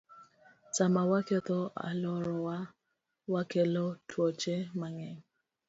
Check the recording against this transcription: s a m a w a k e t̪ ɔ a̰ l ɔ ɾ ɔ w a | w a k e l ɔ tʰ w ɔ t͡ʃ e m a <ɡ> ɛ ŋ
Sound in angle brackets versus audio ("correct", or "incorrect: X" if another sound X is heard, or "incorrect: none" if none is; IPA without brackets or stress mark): incorrect: ŋ